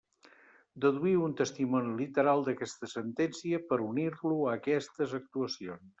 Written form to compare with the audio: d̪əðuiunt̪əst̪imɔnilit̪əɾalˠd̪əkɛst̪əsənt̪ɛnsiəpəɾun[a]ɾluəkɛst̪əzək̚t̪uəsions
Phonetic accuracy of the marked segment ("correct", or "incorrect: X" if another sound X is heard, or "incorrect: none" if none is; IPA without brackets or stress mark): incorrect: i